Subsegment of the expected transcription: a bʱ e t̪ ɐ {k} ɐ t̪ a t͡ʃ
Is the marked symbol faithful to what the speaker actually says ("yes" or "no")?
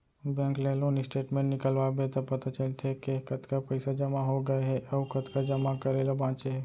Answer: no